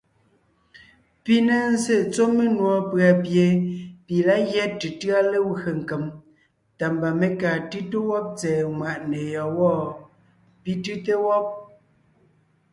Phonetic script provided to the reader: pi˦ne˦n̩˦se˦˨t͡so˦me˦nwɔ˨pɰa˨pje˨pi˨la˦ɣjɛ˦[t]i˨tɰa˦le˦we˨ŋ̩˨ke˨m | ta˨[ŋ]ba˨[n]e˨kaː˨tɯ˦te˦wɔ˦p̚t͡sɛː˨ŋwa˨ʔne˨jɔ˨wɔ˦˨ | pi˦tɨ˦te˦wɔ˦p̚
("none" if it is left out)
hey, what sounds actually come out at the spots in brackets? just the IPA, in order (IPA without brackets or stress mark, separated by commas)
t, m, m